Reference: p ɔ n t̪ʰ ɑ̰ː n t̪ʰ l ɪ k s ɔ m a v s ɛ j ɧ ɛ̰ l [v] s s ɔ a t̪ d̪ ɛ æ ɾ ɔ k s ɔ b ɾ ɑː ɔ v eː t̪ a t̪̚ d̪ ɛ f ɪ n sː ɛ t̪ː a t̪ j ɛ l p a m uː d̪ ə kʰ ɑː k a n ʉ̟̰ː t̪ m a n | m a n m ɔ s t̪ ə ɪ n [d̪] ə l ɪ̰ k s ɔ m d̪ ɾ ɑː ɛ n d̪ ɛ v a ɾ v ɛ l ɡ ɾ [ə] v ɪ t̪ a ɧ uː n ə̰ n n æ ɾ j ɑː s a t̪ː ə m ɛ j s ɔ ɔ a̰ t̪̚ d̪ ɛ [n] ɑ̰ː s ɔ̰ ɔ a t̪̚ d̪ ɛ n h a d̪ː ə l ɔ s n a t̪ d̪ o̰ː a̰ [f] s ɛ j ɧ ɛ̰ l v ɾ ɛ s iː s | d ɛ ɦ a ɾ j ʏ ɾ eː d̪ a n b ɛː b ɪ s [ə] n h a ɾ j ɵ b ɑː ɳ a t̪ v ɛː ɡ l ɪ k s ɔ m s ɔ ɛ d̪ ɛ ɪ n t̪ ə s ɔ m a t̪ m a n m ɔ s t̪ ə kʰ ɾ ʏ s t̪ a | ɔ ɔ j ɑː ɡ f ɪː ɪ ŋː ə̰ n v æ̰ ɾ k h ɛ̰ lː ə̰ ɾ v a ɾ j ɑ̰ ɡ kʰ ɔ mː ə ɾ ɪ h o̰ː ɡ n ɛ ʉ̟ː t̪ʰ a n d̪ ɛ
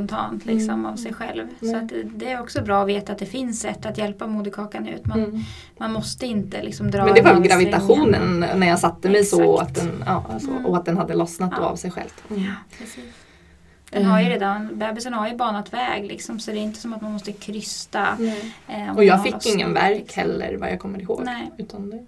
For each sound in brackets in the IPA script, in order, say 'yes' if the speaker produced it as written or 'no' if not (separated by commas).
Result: yes, no, no, yes, no, yes